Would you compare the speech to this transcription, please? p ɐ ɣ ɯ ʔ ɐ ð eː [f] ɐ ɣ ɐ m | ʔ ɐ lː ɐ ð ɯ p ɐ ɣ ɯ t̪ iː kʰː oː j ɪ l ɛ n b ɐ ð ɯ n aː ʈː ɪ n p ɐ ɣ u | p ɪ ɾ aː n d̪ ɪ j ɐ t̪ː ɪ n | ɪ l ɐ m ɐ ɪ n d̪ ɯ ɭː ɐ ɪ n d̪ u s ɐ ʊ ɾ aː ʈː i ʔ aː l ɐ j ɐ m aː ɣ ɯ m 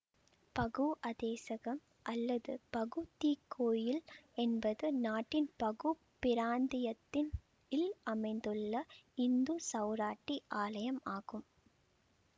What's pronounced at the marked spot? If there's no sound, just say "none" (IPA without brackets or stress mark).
s